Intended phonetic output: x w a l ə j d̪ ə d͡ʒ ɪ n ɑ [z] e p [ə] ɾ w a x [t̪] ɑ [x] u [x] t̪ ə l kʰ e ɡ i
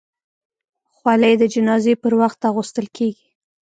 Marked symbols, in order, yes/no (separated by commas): yes, yes, yes, no, no